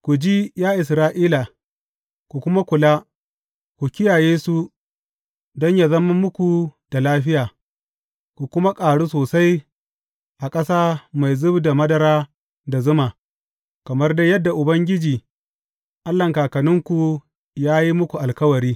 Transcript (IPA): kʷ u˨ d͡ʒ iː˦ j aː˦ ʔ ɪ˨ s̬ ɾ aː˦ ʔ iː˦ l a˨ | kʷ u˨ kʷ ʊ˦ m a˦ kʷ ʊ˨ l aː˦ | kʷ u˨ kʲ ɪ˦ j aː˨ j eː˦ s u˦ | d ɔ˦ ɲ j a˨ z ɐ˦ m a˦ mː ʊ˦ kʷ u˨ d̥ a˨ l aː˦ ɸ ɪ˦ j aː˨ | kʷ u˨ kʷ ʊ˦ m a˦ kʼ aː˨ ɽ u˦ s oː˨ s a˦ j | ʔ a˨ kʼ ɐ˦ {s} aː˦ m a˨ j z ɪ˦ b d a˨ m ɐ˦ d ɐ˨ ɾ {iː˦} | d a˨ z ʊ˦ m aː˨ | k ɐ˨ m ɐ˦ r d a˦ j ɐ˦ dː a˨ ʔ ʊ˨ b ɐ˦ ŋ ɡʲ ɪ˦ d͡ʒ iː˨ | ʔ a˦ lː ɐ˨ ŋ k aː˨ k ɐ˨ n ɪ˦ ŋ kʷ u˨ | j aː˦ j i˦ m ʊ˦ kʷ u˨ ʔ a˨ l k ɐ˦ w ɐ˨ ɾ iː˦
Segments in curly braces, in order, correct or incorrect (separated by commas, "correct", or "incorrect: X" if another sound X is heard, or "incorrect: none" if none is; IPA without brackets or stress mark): correct, incorrect: aː˦